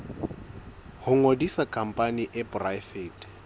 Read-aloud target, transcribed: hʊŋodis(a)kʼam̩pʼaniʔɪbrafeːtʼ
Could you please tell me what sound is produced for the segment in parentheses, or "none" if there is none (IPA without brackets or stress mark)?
a